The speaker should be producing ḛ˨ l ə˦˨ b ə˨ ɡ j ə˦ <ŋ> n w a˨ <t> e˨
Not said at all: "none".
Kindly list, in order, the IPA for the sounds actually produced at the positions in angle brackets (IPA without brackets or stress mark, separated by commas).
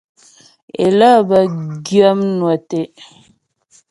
m, t